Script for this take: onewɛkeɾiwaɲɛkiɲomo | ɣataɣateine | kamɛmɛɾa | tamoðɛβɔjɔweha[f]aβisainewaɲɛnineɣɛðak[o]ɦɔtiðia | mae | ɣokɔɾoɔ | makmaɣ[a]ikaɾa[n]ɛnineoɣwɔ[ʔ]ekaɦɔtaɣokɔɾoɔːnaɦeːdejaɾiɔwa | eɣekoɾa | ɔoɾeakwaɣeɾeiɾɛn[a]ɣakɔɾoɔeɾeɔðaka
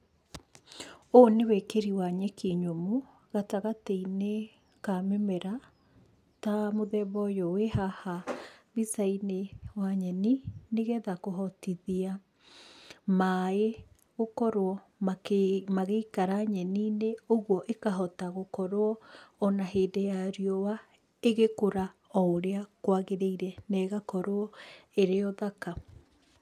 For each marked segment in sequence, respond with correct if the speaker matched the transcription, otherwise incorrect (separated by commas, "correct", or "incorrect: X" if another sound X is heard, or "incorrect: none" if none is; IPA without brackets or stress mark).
incorrect: h, correct, incorrect: e, incorrect: ɲ, correct, incorrect: ɛ